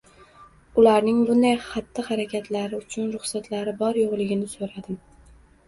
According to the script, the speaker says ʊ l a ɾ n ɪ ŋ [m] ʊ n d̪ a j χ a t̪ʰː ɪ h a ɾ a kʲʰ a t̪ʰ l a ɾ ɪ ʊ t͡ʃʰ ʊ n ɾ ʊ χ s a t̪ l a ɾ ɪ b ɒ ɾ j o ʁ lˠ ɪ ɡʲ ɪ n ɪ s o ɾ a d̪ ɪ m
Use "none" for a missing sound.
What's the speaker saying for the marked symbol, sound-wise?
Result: b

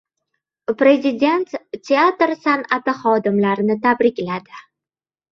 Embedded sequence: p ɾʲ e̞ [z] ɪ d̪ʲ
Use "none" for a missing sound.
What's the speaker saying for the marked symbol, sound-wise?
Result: z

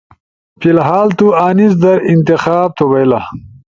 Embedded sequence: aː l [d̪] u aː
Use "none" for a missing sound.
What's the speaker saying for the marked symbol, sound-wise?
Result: t̪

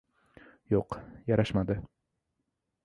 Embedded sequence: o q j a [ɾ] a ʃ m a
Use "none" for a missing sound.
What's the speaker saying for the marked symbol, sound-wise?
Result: ɾ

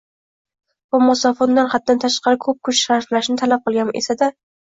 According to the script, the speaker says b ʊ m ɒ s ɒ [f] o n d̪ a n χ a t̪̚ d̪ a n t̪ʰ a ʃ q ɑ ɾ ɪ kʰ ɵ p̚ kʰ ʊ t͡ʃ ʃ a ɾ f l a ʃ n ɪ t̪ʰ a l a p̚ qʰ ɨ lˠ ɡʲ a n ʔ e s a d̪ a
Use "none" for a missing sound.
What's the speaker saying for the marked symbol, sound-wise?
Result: f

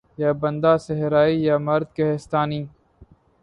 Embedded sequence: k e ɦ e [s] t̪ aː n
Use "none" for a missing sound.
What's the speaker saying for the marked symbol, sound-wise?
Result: s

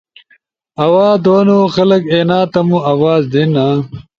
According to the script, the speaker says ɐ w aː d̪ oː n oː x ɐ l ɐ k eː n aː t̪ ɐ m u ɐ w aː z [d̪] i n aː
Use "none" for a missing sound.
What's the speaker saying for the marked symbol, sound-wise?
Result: d̪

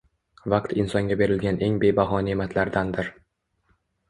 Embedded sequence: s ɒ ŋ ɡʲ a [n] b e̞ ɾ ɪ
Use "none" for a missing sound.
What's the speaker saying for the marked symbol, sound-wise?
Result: none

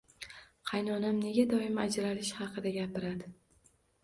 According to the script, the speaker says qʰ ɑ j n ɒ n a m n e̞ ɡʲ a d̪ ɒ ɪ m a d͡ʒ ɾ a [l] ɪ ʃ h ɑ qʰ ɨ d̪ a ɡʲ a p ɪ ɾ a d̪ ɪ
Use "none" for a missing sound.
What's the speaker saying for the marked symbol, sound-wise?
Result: l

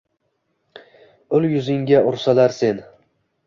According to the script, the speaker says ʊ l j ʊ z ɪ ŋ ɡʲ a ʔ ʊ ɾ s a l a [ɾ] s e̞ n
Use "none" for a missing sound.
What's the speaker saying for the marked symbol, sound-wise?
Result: ɾ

